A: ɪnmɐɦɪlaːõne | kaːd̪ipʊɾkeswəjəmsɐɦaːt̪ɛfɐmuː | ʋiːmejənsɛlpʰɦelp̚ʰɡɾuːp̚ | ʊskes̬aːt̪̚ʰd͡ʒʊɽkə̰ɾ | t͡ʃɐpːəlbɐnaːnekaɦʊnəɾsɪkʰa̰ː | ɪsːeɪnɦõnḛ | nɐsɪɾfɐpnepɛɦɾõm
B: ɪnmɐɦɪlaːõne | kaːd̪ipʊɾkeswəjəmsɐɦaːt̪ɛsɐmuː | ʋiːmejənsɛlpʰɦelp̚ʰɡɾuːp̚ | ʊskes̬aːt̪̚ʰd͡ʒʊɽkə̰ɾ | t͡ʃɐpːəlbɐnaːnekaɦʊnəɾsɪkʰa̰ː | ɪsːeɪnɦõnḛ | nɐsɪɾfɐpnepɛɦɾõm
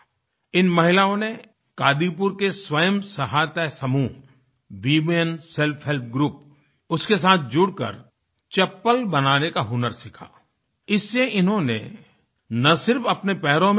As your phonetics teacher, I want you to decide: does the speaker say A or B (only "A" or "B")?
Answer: B